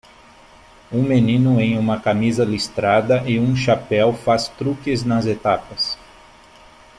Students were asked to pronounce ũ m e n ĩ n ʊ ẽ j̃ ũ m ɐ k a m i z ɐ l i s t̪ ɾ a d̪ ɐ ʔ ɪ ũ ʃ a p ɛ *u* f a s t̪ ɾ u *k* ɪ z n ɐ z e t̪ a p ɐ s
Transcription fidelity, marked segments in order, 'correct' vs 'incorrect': incorrect, correct

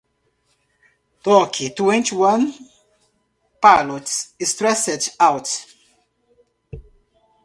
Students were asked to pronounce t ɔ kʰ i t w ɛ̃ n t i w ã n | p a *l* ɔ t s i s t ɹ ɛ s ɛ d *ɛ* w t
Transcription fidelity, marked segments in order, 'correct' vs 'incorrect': correct, incorrect

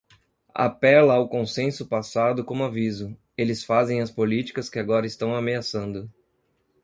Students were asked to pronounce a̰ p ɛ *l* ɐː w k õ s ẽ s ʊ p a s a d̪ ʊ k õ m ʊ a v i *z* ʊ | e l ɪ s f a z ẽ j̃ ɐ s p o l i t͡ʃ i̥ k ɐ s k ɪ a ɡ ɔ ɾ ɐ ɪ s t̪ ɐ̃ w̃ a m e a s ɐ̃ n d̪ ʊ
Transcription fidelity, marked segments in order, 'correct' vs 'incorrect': correct, correct

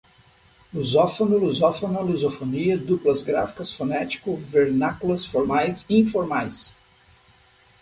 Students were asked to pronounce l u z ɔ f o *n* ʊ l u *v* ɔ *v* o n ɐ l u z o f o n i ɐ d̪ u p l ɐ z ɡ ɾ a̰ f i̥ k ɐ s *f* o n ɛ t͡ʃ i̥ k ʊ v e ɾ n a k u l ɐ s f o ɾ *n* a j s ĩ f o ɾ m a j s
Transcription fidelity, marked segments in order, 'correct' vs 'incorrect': correct, incorrect, incorrect, correct, incorrect

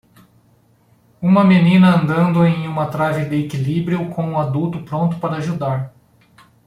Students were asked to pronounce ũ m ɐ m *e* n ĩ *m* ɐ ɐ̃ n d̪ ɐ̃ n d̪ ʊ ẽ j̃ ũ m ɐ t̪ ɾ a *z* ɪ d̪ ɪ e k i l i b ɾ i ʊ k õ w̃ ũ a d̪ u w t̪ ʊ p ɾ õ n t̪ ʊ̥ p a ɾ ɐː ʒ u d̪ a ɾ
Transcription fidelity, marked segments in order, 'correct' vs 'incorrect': correct, incorrect, incorrect

